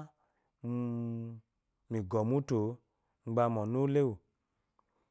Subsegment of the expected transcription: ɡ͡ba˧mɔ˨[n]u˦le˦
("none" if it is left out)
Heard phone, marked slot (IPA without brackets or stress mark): n